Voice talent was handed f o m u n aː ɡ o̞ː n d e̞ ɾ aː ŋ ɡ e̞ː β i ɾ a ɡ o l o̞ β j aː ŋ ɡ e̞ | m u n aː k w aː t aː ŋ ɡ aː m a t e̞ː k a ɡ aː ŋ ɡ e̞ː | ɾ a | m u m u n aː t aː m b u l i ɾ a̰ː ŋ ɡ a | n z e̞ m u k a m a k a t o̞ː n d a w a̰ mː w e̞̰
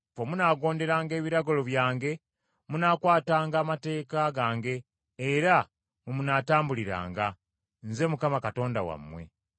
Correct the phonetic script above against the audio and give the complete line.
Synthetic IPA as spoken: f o m u n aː ɡ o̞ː n d e̞ ɾ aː ŋ ɡ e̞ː β i ɾ a ɡ o l o̞ β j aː ŋ ɡ e̞ | m u n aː k w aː t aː ŋ ɡ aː m a t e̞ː k a ɡ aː ŋ ɡ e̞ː | ɾ a | m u m u n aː t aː m b u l i ɾ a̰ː ŋ ɡ a | n z e̞ m u k a m a k a t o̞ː n d a w a̰ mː w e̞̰

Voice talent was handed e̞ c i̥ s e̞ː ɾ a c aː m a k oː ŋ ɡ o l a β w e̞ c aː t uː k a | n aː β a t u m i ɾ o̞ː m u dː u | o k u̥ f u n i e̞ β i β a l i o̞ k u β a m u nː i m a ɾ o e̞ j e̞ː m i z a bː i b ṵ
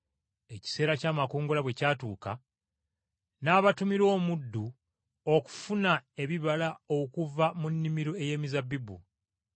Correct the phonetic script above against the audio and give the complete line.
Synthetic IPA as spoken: e̞ c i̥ s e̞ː ɾ a c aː m a k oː ŋ ɡ o l a β w e̞ c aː t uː k a | n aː β a t u m i ɾ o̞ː m u dː u | o k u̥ f u n a e̞ β i β a l a o̞ k u v a m u nː i m i ɾ o e̞ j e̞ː m i z a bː i b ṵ

